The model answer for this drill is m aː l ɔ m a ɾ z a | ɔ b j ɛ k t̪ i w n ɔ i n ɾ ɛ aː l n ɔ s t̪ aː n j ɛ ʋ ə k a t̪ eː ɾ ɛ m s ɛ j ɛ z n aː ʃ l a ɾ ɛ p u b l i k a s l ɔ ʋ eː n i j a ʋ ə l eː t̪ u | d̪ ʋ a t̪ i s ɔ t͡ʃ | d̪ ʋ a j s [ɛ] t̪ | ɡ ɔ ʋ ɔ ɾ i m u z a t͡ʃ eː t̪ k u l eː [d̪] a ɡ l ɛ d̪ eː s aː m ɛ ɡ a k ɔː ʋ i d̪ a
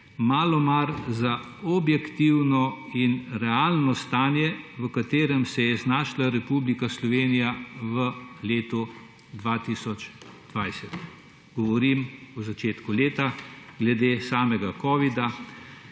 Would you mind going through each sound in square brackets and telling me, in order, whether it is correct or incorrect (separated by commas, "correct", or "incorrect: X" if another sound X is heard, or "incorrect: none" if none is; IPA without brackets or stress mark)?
correct, incorrect: t̪